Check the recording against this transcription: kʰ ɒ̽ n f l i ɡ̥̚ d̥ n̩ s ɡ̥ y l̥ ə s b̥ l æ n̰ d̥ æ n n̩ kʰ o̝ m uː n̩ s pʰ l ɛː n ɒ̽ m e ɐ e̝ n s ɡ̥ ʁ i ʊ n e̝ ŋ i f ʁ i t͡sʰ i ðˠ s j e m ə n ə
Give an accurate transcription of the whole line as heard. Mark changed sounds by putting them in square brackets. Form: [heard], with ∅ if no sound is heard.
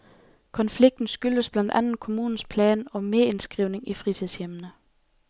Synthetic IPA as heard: kʰ ɒ̽ n f l i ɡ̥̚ d̥ n̩ s ɡ̥ y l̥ ə s b̥ l æ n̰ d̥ æ n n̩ kʰ o̝ m uː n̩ s pʰ l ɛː n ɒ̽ m e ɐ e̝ n s ɡ̥ ʁ i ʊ n e̝ ŋ i f ʁ i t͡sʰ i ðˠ s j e m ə n ə